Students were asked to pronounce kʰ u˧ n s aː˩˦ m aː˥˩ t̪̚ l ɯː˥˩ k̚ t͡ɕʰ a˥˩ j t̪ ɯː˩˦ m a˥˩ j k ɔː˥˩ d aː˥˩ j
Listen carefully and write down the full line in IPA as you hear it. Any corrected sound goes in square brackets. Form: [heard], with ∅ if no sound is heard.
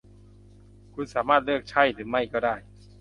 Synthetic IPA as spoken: kʰ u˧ n s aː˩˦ m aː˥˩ t̪̚ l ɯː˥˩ k̚ t͡ɕʰ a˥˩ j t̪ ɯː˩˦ m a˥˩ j k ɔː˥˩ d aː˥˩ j